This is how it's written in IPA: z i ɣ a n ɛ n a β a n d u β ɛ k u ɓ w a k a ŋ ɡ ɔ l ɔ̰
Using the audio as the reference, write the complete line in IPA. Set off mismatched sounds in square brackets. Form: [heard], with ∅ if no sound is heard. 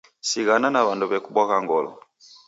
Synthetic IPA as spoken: [s] i ɣ a n [a] n a β a n d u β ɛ k u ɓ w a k a ŋ ɡ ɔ l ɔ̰